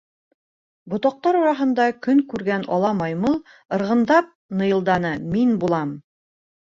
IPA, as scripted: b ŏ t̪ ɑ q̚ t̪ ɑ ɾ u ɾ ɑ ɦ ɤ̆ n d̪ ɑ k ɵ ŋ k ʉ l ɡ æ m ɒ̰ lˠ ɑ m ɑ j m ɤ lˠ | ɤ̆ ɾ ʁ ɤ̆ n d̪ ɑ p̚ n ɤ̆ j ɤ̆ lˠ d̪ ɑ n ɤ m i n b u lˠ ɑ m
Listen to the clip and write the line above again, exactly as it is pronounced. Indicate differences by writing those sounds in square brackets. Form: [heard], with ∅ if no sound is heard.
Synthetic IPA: b ŏ t̪ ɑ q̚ t̪ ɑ ɾ u ɾ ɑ ɦ ɤ̆ n d̪ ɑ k ɵ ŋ k ʉ [ɾ] ɡ æ [n] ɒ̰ lˠ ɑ m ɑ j m ɤ lˠ | ɤ̆ ɾ ʁ ɤ̆ n d̪ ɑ p̚ n ɤ̆ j ɤ̆ lˠ d̪ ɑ n ɤ m i n b u lˠ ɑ m